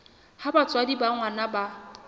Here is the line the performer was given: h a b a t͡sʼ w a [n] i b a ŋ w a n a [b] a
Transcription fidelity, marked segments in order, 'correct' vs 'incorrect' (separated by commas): incorrect, correct